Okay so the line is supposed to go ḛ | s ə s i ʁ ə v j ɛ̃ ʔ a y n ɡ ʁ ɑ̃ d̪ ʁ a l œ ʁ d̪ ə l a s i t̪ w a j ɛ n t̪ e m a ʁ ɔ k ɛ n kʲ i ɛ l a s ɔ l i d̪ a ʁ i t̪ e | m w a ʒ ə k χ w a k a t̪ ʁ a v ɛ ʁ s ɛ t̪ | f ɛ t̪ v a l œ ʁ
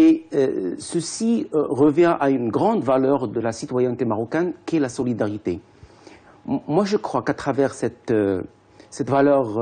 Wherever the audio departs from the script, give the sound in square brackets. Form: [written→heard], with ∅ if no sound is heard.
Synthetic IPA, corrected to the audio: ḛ | s ə s i ʁ ə v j ɛ̃ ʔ a y n ɡ ʁ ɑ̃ d̪ [ʁ→v] a l œ ʁ d̪ ə l a s i t̪ w a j ɛ n t̪ e m a ʁ ɔ k ɛ n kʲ i ɛ l a s ɔ l i d̪ a ʁ i t̪ e | m w a ʒ ə k χ w a k a t̪ [ʁ→χ] a v ɛ ʁ s ɛ t̪ | [f→s] ɛ t̪ v a l œ ʁ